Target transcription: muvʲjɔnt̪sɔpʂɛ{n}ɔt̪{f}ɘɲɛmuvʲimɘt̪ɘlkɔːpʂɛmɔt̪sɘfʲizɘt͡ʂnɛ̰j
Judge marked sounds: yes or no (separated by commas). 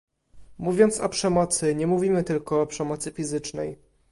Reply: no, no